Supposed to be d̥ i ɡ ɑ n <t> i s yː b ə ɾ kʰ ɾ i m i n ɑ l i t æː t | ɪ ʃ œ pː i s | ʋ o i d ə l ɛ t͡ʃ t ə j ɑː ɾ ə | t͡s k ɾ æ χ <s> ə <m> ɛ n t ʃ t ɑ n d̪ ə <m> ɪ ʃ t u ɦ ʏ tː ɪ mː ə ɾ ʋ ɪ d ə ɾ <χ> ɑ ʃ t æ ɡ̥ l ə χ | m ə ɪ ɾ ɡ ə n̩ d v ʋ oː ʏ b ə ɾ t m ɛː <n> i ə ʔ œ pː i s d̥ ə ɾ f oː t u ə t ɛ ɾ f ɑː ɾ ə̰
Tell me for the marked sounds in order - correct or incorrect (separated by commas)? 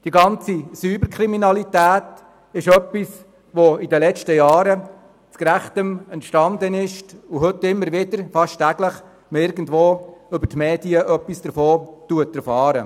incorrect, incorrect, correct, incorrect, incorrect, incorrect